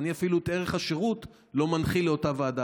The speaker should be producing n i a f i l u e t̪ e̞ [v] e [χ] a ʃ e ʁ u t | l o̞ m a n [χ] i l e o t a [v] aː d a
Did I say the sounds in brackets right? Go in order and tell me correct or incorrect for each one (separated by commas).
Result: incorrect, correct, correct, correct